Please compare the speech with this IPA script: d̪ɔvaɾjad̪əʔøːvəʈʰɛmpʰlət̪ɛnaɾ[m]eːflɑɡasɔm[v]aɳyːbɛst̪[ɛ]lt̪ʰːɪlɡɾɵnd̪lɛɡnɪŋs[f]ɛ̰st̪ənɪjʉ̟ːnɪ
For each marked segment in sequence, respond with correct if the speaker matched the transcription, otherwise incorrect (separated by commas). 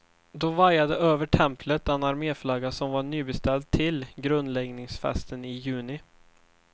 correct, correct, correct, correct